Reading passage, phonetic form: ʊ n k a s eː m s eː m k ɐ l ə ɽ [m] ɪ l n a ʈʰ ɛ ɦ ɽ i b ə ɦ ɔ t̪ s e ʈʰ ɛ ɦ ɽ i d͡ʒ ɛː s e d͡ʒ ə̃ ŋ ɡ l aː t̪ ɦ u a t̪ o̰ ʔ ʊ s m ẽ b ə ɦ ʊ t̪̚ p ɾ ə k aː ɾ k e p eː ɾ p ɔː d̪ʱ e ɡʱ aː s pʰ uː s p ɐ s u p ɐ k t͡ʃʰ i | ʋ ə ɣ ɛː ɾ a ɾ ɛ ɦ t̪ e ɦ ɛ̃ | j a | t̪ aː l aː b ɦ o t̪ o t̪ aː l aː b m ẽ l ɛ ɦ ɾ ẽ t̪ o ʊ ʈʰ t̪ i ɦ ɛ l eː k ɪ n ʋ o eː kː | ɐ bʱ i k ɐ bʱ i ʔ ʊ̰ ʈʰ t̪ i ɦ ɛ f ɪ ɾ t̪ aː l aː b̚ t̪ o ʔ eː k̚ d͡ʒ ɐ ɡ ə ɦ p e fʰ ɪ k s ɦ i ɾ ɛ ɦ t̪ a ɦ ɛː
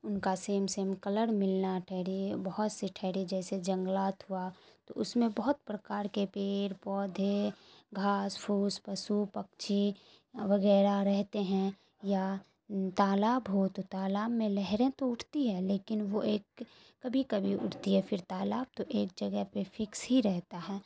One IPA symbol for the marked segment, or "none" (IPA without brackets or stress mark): m